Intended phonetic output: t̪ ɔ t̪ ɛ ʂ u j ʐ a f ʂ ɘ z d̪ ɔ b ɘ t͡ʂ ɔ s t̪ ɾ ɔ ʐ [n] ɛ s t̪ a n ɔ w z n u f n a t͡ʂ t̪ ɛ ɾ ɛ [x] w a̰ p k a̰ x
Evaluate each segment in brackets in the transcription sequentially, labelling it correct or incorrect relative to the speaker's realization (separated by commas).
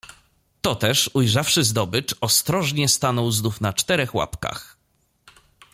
incorrect, correct